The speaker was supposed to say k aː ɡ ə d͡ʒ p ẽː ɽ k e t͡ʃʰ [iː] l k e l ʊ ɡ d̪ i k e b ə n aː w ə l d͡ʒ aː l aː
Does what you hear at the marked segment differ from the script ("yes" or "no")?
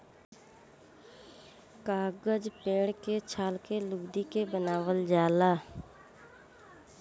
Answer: yes